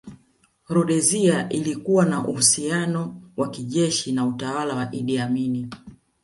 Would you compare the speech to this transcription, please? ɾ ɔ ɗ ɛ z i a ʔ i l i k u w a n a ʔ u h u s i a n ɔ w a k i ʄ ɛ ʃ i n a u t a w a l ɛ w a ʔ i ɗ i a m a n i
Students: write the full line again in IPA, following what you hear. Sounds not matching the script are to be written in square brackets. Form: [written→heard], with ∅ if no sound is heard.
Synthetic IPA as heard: ɾ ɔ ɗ ɛ z i a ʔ i l i k u w a n a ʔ u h u s i a n ɔ w a k i ʄ ɛ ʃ i n a u t a w a l [ɛ→a] w a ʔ i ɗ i a m [a→i] n i